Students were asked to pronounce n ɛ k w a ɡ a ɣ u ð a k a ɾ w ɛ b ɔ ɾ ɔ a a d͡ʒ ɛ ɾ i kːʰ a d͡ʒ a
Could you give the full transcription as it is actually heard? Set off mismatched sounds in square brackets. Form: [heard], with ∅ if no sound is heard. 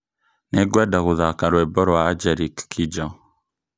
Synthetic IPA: n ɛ [ɡ] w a [d] a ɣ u ð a k a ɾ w ɛ b ɔ ɾ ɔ a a d͡ʒ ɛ ɾ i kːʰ [i] d͡ʒ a